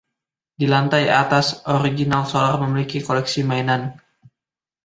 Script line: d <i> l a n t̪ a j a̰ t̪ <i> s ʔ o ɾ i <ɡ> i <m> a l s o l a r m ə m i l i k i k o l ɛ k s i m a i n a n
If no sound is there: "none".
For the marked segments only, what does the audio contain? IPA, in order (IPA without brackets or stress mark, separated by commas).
i, a, ɡ, n